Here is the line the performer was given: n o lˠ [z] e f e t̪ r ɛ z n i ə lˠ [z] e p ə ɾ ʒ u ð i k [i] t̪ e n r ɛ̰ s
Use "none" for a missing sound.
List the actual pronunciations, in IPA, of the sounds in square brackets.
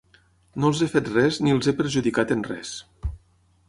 z, z, a

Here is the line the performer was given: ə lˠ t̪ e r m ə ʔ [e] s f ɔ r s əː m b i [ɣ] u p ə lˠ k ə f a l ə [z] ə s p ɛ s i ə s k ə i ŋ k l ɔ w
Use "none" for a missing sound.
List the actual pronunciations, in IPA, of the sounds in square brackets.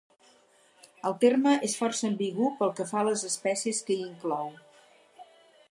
e, ɣ, z

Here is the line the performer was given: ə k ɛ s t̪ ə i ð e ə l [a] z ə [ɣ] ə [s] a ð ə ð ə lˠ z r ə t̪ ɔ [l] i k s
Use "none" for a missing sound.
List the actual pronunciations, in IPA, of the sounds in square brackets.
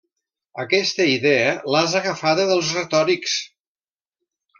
a, ɣ, f, ɾ

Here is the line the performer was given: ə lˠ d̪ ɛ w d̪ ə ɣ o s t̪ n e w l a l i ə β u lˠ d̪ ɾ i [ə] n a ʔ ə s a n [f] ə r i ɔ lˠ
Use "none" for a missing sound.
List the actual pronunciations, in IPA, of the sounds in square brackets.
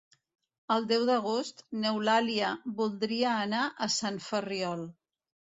əː, f

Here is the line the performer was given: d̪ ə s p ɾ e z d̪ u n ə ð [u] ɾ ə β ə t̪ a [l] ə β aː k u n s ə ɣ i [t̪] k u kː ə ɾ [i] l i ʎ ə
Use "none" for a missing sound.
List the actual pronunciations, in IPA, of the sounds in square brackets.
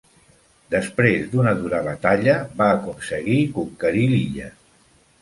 u, ʎ, none, i

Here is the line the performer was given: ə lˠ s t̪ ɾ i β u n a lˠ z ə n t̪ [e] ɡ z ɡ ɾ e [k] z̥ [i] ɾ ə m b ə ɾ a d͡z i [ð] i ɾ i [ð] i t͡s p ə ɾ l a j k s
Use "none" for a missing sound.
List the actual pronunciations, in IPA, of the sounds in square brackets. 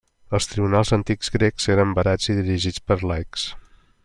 i, k, e, ð, ʒ

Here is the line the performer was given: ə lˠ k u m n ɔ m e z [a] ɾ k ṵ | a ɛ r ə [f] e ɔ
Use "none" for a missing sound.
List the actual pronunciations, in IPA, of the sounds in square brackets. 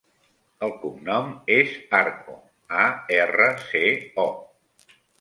a, s

